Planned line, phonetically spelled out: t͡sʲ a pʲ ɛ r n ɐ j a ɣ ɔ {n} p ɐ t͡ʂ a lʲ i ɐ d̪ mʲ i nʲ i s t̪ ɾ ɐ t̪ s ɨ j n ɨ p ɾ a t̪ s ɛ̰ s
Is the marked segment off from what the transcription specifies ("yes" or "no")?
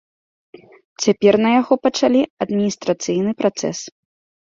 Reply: yes